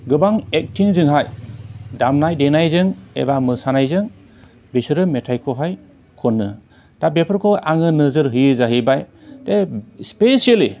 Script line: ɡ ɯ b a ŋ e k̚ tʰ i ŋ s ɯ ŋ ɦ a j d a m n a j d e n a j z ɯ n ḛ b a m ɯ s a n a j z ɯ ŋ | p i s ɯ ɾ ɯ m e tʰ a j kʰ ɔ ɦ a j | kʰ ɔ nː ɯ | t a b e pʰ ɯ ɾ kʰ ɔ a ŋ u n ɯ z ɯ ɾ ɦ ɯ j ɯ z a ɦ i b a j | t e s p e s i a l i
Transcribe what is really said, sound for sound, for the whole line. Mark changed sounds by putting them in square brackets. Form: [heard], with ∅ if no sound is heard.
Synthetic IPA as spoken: ɡ ɯ b a ŋ e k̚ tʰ i ŋ [z] ɯ ŋ ɦ a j d a m n a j d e n a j z ɯ [ŋ] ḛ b a m ɯ s a n a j z ɯ ŋ | [b] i s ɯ ɾ ɯ m e tʰ a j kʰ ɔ ɦ a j | kʰ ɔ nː ɯ | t a b e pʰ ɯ ɾ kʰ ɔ a ŋ [ɯ] n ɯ z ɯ ɾ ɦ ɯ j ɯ z a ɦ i b a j | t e s p e s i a l i